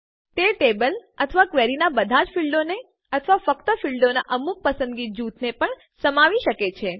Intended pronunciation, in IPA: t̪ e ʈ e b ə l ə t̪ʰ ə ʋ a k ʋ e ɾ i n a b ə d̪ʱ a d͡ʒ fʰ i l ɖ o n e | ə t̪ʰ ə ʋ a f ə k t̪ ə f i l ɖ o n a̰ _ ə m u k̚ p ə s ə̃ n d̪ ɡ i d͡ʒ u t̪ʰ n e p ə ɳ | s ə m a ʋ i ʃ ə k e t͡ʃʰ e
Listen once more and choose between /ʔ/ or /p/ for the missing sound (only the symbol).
ʔ